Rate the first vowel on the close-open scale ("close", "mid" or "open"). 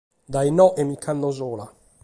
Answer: open